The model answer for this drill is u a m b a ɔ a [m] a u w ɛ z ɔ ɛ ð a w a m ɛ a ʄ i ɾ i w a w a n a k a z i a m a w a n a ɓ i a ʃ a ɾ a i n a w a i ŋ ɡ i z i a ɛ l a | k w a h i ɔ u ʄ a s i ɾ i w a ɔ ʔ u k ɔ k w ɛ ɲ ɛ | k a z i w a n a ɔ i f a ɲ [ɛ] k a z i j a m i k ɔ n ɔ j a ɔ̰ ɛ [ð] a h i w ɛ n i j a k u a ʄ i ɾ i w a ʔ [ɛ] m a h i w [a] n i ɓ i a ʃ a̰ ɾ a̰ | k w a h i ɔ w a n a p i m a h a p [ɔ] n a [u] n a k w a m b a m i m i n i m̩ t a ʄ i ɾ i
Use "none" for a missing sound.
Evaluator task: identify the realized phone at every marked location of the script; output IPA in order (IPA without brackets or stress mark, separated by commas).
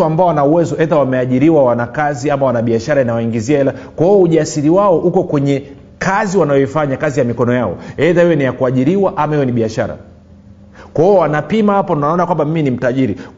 n, a, ð, a, ɛ, ɔ, ɔ